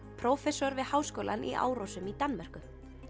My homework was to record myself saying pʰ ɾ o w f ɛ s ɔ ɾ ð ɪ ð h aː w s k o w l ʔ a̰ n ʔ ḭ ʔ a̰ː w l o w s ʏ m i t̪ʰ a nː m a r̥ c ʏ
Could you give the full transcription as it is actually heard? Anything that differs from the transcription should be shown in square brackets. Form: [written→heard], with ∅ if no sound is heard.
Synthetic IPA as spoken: pʰ ɾ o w f ɛ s ɔ ɾ [ð→v] ɪ ð h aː w s k o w l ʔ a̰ n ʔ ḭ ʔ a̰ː w [l→ɾ] o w s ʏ m i [t̪ʰ→t̪] a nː m a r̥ [c→k] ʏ